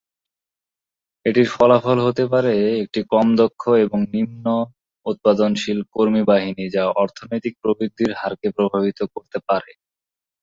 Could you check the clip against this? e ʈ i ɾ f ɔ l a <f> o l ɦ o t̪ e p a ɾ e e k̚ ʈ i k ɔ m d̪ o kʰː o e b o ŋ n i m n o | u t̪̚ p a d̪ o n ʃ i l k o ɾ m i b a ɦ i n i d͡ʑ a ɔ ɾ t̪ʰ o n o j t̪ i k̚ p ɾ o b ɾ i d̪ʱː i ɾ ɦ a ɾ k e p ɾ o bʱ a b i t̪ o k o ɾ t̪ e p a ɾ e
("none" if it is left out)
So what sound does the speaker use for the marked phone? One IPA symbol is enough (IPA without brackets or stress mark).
f